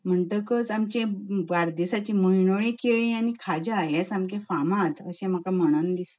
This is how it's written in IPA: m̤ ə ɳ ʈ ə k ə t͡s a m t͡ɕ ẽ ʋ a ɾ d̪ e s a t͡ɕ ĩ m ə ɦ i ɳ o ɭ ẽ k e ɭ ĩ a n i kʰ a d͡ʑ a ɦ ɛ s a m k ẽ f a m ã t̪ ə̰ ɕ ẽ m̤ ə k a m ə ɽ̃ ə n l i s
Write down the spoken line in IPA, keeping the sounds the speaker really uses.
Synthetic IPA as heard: m̤ ə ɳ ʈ ə k ə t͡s a m t͡ɕ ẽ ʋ a ɾ d̪ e s a t͡ɕ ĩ m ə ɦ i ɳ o ɭ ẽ k e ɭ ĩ a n i kʰ a d͡ʑ a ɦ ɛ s a m k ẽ f a m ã t̪ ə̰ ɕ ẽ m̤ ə k a m ə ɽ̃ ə n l i s